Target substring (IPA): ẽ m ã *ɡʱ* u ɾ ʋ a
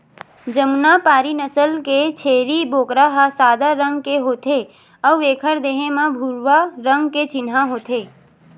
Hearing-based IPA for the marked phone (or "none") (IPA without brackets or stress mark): bʱ